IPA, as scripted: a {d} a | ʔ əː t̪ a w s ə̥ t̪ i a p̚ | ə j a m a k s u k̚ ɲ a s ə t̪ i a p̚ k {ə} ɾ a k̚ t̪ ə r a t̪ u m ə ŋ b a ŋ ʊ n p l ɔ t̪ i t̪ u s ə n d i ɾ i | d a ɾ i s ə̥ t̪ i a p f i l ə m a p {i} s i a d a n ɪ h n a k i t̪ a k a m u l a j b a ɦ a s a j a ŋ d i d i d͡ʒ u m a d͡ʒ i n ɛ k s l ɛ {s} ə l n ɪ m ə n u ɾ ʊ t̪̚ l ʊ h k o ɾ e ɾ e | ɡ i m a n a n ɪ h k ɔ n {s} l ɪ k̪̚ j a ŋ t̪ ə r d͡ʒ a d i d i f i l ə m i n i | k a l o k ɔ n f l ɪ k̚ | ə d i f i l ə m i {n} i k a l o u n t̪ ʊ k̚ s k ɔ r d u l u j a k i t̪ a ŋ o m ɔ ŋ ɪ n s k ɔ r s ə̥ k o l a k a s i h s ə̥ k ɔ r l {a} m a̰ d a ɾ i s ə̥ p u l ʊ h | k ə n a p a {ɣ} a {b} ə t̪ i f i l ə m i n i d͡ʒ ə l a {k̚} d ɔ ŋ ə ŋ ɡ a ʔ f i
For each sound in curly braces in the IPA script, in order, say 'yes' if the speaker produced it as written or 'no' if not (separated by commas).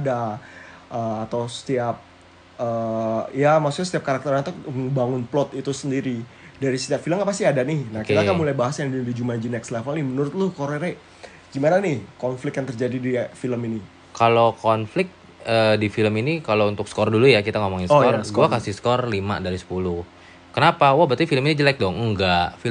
yes, no, no, no, no, yes, no, no, yes, yes